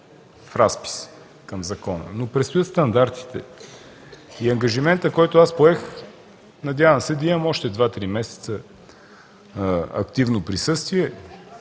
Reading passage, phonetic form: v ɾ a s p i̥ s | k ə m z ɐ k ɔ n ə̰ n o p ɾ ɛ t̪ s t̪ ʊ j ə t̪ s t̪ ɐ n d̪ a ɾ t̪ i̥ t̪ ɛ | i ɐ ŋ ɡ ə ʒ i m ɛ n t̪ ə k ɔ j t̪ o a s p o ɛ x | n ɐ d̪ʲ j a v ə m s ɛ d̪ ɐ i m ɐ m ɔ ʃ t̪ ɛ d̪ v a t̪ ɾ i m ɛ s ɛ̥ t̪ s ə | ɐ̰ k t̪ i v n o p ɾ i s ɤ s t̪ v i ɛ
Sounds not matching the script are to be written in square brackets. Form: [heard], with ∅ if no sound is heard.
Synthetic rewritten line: [f] ɾ a s p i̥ s | k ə m z ɐ k ɔ n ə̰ n o p ɾ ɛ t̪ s t̪ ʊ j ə t̪ s t̪ ɐ n d̪ a ɾ t̪ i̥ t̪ ɛ | i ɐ ŋ ɡ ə ʒ i m ɛ n t̪ ə k ɔ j t̪ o a s p o ɛ x | n ɐ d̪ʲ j a v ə m s ɛ d̪ ɐ i m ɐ m ɔ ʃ t̪ ɛ d̪ v a t̪ ɾ i m ɛ s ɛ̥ t̪ s ə | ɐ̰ k t̪ i v n o p ɾ i s ɤ s t̪ v i ɛ